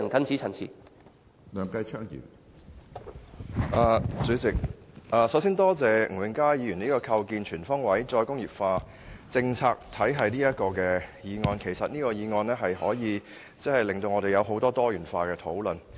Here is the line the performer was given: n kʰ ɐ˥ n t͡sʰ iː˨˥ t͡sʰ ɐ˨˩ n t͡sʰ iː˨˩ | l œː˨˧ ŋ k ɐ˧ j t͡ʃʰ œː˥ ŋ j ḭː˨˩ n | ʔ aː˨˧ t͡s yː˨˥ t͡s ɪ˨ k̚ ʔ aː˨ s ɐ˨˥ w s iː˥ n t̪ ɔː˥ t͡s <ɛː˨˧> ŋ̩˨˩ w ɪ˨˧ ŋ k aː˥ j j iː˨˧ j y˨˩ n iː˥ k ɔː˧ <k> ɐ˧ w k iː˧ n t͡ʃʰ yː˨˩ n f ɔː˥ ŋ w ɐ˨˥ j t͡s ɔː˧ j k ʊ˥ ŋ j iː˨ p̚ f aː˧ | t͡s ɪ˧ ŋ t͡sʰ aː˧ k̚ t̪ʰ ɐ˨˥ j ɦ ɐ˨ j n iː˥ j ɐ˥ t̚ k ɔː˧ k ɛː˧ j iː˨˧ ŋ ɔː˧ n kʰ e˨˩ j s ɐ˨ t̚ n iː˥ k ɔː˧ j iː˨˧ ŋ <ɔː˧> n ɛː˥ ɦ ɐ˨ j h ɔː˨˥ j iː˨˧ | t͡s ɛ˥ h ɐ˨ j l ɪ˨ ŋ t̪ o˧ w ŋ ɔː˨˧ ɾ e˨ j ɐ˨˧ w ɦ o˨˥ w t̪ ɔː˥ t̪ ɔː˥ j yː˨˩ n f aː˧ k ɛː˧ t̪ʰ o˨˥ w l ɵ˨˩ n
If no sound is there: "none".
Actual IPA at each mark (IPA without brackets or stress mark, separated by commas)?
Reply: ɛː˨˧, kʰ, ɔː˧